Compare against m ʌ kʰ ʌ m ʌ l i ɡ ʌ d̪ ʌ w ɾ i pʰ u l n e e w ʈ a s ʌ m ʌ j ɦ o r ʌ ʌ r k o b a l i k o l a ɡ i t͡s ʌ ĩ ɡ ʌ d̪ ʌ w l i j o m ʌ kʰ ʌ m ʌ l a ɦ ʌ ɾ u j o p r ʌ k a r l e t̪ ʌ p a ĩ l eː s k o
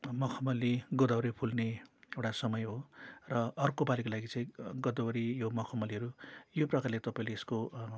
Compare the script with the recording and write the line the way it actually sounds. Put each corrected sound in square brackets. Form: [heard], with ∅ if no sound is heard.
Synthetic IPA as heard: m ʌ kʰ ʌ m ʌ l i ɡ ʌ d̪ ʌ w ɾ i pʰ u l n e e w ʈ a s ʌ m ʌ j ɦ o r ʌ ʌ r k o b a l i k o l a ɡ i t͡s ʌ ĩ ɡ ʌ d̪ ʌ w [ɾ] i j o m ʌ kʰ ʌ m ʌ l [i] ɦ ʌ ɾ u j o p r ʌ k a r l e t̪ ʌ p a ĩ l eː s k o